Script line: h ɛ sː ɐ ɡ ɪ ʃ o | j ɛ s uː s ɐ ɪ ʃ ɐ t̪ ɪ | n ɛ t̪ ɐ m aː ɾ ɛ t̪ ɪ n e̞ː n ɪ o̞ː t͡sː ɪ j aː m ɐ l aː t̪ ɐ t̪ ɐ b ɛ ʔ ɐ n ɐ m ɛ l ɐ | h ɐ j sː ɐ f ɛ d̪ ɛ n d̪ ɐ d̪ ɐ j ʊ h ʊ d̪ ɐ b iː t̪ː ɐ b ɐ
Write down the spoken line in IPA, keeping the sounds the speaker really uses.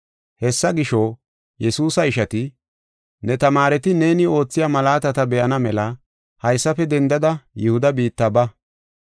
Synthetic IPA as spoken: h ɛ sː ɐ ɡ ɪ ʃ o | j ɛ s uː s ɐ ɪ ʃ ɐ t̪ ɪ | n ɛ t̪ ɐ m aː ɾ ɛ t̪ ɪ n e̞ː n ɪ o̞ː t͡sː ɪ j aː m ɐ l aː t̪ ɐ t̪ ɐ b ɛ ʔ ɐ n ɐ m ɛ l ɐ | h ɐ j sː ɐ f ɛ d̪ ɛ n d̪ ɐ d̪ ɐ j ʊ h ʊ d̪ ɐ b iː t̪ː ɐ b ɐ